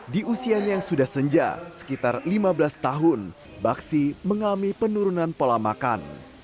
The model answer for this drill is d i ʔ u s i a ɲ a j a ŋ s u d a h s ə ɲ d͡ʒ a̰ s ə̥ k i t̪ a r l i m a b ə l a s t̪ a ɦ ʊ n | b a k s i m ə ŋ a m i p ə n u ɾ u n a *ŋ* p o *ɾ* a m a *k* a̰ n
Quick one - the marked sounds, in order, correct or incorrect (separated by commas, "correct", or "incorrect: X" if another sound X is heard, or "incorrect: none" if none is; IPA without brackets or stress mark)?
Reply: incorrect: n, incorrect: l, correct